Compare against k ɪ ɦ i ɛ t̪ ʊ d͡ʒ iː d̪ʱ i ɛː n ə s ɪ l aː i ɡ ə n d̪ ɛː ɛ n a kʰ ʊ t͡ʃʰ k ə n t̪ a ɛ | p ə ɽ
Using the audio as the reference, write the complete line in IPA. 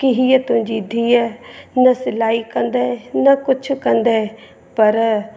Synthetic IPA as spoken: k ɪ ɦ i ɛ t̪ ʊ d͡ʒ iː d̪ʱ i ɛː n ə s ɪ l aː i k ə n d̪ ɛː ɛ n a k ʊ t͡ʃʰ k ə n d̪ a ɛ | p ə ɾ